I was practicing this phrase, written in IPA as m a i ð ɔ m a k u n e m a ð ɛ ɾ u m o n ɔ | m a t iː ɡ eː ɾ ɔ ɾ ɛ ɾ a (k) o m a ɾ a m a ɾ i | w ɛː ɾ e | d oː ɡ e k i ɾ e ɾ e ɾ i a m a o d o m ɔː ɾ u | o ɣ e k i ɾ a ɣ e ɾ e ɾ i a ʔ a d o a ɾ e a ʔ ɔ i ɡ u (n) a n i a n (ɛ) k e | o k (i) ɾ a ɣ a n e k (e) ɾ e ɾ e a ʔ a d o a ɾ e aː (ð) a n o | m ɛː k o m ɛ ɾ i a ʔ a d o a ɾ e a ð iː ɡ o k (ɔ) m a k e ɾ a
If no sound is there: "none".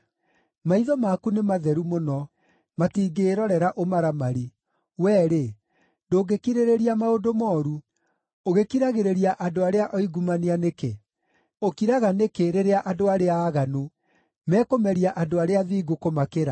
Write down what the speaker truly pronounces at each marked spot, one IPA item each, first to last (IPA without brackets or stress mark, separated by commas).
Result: ʔ, m, e, i, e, ɣ, o